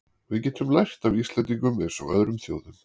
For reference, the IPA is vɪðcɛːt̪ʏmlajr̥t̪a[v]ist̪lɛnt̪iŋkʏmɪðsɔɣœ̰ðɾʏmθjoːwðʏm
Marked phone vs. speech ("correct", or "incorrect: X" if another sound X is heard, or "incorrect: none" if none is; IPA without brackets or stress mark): correct